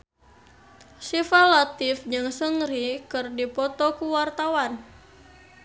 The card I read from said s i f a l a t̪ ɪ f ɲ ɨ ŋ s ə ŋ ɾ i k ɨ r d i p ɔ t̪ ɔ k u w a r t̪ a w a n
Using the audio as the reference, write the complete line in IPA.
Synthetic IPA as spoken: s i f a l a t̪ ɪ f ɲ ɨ ŋ s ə ŋ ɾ i k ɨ r d i p ɔ t̪ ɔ k u w a r t̪ a w a n